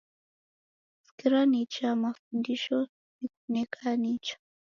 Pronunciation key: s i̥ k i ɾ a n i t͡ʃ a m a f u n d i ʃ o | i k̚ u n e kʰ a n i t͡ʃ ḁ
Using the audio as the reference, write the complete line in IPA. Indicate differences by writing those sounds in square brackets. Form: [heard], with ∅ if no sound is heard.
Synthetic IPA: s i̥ k i ɾ a n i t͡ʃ a m a f u n d i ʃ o | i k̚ u n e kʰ a n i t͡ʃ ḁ